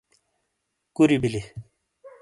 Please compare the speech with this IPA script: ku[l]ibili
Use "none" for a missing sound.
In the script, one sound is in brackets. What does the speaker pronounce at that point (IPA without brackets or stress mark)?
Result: ɾ